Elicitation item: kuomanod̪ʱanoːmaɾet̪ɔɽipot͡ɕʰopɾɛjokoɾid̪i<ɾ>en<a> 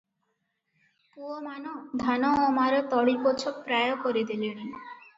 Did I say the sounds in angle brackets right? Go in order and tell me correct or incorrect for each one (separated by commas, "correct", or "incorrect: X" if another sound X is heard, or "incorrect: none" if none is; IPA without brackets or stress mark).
incorrect: l, incorrect: i